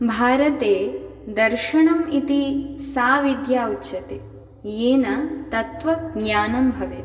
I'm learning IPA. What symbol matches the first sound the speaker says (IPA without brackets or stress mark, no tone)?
bʱ